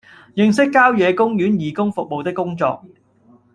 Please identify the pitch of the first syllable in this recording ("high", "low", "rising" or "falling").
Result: low